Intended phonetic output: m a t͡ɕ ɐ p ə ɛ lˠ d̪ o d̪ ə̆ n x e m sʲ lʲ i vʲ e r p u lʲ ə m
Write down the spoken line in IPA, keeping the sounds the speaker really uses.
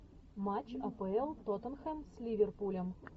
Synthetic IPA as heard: m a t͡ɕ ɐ p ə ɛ lˠ t̪ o t̪ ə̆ n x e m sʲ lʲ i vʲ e r p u lʲ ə m